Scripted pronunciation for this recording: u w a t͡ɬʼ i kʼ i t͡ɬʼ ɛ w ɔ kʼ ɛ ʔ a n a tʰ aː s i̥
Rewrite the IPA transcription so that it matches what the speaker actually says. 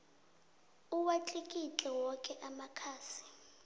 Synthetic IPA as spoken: u w a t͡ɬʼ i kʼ i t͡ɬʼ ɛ w ɔ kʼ ɛ ʔ a m a kʰ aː s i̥